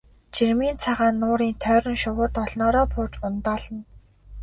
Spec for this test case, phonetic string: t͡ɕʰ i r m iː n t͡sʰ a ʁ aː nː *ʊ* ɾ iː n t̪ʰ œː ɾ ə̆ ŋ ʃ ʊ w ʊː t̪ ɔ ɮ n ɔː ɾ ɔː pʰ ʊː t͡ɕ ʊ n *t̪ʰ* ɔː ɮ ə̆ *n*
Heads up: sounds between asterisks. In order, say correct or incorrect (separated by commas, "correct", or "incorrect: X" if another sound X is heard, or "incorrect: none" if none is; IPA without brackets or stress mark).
incorrect: ʊː, incorrect: t̪, correct